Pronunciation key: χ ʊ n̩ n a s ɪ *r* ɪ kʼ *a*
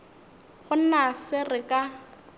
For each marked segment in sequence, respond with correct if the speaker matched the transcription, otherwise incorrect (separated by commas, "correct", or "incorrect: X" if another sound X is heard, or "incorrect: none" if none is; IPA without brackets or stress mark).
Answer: correct, correct